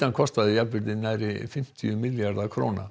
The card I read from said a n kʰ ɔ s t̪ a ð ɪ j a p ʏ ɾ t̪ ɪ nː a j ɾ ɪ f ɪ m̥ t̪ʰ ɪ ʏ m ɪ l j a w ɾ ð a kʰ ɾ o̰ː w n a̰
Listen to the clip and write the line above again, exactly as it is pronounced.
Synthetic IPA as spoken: a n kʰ ɔ s t̪ a ð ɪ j a p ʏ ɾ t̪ ɪ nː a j ɾ ɪ f ɪ m̥ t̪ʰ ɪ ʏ m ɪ l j a ɾ ð a kʰ ɾ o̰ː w n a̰